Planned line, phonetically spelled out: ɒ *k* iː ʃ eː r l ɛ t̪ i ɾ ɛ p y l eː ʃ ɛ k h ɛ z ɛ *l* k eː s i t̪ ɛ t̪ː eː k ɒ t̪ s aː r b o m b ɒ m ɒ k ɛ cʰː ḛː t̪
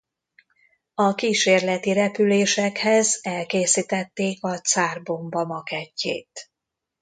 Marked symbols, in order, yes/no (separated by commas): yes, yes